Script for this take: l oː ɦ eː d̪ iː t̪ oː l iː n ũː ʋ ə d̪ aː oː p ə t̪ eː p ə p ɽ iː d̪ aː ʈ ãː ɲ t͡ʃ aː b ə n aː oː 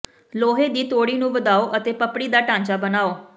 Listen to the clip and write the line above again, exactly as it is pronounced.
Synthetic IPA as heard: l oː ɦ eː d̪ iː t̪ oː ɽ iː n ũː ʋ ə d̪ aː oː ʔ ə t̪ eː p ə p ɽ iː d̪ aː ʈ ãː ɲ t͡ʃ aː b ə n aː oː